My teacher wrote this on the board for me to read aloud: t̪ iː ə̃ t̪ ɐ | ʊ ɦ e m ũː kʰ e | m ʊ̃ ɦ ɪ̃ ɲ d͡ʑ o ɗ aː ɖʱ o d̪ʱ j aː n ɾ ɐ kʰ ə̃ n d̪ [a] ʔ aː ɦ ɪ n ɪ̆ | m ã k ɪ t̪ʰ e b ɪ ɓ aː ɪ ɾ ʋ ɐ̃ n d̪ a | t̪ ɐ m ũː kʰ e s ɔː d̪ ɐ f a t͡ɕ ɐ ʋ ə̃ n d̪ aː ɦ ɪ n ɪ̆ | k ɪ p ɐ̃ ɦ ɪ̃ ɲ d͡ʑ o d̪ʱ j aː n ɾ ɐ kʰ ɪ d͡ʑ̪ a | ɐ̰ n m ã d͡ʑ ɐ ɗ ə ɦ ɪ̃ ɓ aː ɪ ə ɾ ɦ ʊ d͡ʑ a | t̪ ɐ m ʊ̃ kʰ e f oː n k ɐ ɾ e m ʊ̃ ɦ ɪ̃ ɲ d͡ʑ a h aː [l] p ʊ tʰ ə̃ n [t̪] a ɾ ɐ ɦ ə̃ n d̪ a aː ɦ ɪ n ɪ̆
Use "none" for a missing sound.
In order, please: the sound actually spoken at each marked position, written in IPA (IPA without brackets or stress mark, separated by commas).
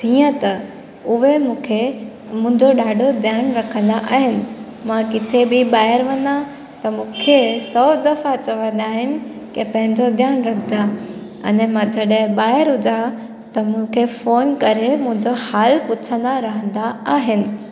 a, l, d̪